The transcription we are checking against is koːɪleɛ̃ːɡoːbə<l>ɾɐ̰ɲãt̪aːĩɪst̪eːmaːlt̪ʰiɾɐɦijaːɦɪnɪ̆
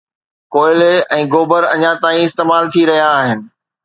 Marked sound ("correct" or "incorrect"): incorrect